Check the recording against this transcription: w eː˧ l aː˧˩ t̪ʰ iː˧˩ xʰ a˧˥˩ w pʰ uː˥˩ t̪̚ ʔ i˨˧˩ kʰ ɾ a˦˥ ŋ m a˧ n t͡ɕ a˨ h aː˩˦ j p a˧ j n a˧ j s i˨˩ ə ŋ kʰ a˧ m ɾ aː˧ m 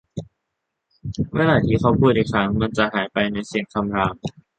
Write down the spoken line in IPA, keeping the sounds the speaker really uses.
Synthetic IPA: w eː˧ l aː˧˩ t̪ʰ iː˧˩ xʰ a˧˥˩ w pʰ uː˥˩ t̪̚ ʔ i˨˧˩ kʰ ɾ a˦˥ ŋ m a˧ n t͡ɕ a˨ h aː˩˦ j p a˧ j n a˧ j s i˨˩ ə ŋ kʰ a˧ m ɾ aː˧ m